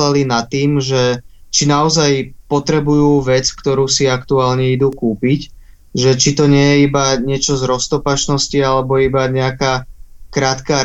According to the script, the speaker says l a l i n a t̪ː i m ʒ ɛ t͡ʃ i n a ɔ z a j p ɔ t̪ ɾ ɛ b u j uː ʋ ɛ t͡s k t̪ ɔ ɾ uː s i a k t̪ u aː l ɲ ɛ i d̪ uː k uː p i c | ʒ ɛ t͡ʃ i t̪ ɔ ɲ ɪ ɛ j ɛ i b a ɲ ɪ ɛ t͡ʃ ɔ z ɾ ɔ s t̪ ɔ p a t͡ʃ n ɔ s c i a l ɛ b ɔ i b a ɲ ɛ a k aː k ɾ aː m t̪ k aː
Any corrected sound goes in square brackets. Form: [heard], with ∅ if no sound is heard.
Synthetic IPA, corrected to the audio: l a l i n a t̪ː [iː] m ʒ ɛ t͡ʃ i n a ɔ z a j p ɔ t̪ ɾ ɛ b u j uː ʋ ɛ t͡s k t̪ ɔ ɾ uː s i a k t̪ u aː l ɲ ɛ i d̪ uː k uː p i c | ʒ ɛ t͡ʃ i t̪ ɔ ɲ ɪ ɛ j ɛ i b a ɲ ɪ ɛ t͡ʃ ɔ z ɾ ɔ s t̪ ɔ p a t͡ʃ n ɔ s c i a l ɛ b ɔ i b a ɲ ɛ a k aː k ɾ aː [∅] t̪ k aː